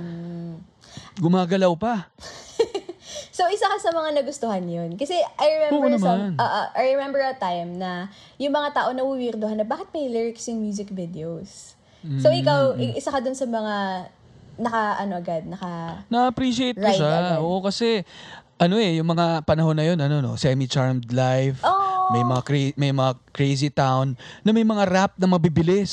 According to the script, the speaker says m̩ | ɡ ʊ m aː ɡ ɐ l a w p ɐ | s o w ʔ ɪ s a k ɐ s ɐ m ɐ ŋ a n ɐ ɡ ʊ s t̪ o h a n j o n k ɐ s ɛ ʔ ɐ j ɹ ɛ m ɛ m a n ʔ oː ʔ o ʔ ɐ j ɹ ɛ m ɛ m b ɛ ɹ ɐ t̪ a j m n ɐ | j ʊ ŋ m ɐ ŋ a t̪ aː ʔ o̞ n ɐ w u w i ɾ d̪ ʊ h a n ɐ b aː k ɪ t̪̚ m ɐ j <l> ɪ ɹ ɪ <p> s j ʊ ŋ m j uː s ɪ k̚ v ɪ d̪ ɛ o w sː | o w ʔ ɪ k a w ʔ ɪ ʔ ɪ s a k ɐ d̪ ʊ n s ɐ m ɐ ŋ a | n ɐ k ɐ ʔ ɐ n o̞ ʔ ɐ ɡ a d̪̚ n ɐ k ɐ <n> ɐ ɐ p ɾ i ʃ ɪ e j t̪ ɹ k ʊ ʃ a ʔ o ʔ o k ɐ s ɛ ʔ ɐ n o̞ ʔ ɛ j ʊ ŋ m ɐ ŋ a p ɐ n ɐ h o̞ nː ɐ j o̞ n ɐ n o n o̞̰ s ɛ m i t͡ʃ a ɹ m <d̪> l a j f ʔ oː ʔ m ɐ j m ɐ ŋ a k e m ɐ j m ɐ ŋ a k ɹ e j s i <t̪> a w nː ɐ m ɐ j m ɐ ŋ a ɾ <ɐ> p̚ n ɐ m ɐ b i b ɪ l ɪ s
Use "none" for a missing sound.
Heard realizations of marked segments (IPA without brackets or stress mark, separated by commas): l, k, n, d̪, t̪, a